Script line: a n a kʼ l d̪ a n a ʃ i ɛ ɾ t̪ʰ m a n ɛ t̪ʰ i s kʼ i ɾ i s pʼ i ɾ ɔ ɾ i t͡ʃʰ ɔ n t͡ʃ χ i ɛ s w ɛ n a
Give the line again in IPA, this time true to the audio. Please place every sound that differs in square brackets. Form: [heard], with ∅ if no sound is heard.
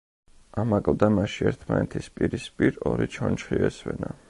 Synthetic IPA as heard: a [m] a kʼ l d̪ a [m] a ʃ i ɛ ɾ t̪ʰ m a n ɛ t̪ʰ i s [pʼ] i ɾ i s pʼ i ɾ ɔ ɾ i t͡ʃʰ ɔ n t͡ʃ χ i ɛ s w ɛ n a

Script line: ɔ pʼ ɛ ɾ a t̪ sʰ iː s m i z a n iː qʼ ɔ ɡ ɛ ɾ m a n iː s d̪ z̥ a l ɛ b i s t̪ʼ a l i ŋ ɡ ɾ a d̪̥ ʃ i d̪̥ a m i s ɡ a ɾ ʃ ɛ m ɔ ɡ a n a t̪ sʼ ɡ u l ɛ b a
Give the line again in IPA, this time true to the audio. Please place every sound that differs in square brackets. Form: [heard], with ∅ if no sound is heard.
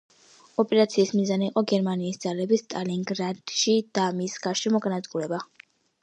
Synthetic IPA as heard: ɔ pʼ ɛ ɾ a t̪ sʰ iː s m i z a n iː qʼ ɔ ɡ ɛ ɾ m a n iː s d̪ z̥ a l ɛ b i s t̪ʼ a l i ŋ ɡ ɾ a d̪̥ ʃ i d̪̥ a m i s ɡ a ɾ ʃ ɛ m ɔ ɡ a n a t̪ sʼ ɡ u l ɛ b a

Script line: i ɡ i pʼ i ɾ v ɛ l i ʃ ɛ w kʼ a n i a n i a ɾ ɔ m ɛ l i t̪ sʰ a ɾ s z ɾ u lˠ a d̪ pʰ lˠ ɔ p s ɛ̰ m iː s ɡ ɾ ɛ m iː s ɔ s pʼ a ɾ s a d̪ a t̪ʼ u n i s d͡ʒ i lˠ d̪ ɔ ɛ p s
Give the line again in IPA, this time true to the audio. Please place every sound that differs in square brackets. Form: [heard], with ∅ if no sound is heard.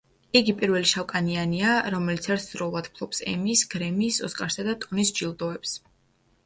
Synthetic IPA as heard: i ɡ i pʼ i ɾ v ɛ l i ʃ [a] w kʼ a n i a n i a ɾ ɔ m ɛ l i t̪ sʰ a ɾ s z ɾ [ɔ] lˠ a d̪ pʰ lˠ ɔ p s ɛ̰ m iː s ɡ ɾ ɛ m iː s ɔ s [kʼ] a ɾ s a d̪ a t̪ʼ u n i s d͡ʒ i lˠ d̪ ɔ ɛ p s

